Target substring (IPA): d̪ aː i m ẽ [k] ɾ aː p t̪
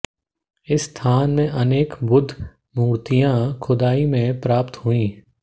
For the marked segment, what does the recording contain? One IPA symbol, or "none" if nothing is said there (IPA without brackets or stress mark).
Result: p